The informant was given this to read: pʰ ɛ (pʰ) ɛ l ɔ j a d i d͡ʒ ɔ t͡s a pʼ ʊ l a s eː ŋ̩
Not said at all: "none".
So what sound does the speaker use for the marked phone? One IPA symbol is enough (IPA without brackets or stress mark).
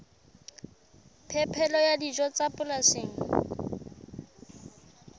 pʰ